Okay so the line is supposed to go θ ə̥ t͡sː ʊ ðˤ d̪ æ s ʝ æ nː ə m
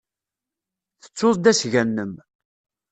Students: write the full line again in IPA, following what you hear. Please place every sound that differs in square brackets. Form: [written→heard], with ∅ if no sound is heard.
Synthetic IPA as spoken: θ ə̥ t͡sː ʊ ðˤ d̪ æ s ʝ æ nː ə m